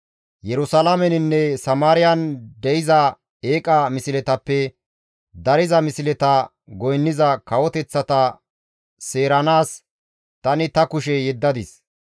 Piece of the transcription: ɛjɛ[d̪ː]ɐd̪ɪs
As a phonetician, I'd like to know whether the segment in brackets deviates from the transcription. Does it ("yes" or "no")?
no